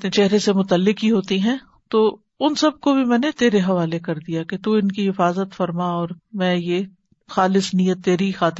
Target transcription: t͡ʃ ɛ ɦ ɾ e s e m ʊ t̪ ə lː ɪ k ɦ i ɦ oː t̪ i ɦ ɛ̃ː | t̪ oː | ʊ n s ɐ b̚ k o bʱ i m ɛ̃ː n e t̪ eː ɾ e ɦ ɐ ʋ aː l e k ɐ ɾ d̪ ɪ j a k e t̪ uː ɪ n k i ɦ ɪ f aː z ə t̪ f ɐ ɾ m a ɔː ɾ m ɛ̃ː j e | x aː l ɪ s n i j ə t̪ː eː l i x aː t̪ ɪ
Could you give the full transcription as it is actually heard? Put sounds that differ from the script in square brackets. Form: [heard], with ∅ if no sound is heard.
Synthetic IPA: t͡ʃ ɛ ɦ ɾ e s e m ʊ t̪ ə lː ɪ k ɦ i ɦ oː t̪ i ɦ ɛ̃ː | t̪ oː | ʊ n s ɐ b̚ k o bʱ i m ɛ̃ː n e t̪ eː ɾ e ɦ ɐ ʋ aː l e k ɐ ɾ d̪ [i] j a k e t̪ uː ɪ n k i ɦ ɪ f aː z ə t̪ f ɐ ɾ m a ɔː ɾ m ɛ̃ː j e | x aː l ɪ s n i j ə t̪ː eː [ɾ] i x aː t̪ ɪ